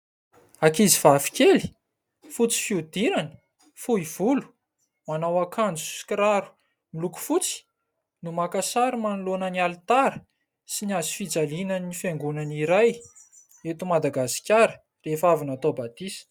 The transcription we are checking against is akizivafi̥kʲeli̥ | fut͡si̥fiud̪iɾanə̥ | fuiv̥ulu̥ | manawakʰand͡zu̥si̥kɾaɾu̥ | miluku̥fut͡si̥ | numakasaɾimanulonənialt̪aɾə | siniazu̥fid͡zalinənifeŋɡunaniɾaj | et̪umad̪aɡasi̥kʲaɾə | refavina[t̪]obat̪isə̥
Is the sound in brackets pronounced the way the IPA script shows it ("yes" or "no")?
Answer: yes